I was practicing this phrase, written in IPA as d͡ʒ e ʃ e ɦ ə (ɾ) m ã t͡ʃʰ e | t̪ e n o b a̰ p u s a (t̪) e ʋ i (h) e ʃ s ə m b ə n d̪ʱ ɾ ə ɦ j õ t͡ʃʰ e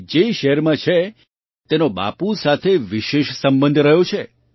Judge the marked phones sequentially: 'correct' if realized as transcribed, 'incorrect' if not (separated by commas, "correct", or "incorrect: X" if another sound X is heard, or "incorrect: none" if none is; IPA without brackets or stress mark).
correct, incorrect: t̪ʰ, incorrect: ʃ